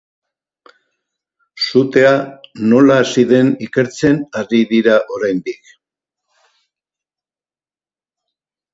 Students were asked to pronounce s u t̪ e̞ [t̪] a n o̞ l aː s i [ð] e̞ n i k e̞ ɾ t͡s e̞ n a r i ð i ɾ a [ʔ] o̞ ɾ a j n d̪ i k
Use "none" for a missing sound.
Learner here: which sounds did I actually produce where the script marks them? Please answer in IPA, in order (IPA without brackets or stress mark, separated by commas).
none, ð, ʔ